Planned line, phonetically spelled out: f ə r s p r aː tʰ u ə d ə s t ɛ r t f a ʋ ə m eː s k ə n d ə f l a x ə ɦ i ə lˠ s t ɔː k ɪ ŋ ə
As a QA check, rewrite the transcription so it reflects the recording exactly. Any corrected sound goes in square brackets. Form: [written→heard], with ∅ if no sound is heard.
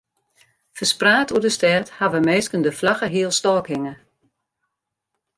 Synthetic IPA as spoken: f ə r s p r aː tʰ u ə d ə s t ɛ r t [f→h] a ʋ ə m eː s k ə n d ə f l a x ə ɦ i ə lˠ s t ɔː k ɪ ŋ ə